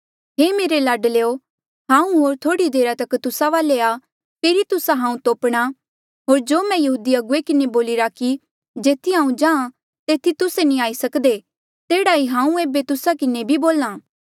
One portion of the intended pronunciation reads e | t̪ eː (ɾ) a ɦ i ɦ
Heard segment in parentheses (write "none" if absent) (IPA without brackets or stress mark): ɽ